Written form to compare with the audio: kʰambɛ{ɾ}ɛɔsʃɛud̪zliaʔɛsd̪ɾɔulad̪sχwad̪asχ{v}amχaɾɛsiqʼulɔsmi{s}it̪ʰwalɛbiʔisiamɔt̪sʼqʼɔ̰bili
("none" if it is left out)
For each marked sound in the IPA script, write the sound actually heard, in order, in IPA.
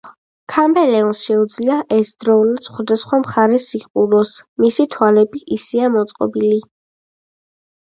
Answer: l, w, s

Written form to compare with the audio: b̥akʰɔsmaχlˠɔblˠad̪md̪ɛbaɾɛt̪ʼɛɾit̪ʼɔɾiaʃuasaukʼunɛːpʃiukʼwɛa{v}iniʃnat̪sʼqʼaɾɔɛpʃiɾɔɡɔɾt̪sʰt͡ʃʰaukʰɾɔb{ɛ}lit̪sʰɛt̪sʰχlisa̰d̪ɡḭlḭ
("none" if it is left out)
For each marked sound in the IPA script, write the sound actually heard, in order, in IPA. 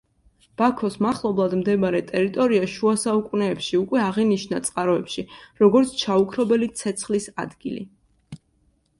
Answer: ʁ, ɛ

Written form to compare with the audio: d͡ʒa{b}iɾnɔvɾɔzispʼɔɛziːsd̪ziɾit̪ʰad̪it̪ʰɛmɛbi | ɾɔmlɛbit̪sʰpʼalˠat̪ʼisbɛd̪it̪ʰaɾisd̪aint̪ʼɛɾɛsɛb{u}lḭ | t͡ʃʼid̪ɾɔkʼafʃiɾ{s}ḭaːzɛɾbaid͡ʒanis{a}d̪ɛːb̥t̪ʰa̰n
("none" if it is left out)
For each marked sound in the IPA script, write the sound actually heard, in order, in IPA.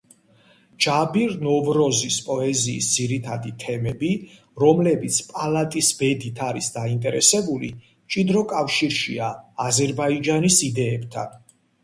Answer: b, u, ʃ, i

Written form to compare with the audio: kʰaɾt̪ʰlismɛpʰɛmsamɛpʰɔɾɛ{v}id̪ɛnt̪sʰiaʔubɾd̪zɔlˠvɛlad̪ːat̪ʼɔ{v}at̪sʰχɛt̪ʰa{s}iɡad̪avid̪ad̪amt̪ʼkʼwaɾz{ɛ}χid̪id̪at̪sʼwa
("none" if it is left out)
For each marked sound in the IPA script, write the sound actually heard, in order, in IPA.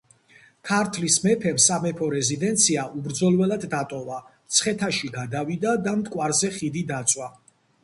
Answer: z, v, ʃ, ɛ

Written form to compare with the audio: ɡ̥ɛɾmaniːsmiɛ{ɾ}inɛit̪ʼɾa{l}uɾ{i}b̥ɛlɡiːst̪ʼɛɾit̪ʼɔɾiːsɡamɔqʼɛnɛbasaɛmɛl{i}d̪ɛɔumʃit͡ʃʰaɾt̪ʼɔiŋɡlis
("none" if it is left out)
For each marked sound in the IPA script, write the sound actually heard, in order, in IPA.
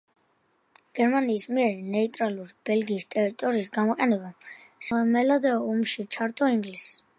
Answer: ɾ, l, i, a

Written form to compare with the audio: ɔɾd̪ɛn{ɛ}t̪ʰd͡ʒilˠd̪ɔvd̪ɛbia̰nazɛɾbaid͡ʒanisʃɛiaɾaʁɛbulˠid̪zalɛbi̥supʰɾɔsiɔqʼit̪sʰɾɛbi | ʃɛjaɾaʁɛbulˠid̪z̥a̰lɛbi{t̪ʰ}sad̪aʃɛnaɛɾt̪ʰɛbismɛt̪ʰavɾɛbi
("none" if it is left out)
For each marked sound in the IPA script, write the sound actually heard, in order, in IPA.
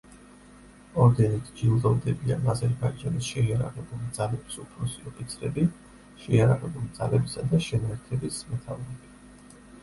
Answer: i, none

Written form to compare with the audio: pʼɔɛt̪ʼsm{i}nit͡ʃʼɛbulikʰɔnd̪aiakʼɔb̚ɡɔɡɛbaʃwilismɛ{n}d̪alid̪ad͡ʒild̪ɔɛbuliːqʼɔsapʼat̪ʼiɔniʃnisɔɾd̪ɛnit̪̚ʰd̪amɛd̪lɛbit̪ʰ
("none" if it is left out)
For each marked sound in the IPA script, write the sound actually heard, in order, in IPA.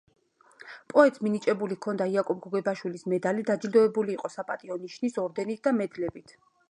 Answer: i, none

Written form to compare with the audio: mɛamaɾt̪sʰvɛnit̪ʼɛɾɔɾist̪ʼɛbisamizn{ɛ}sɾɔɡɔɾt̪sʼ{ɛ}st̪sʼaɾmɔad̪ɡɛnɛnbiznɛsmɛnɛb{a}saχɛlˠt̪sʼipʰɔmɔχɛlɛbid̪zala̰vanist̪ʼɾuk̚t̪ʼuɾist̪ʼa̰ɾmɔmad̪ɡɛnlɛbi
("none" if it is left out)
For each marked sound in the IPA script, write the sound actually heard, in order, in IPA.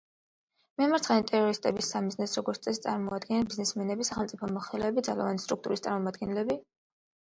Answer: ɛ, ɛ, i

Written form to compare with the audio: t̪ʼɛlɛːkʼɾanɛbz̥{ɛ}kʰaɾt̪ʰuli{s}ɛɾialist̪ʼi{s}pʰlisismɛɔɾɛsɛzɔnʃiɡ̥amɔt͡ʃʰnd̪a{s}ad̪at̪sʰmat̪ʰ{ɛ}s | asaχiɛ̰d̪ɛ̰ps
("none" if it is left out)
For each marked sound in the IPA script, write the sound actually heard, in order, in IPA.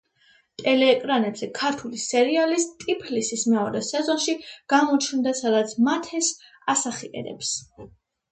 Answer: ɛ, s, none, s, ɛ

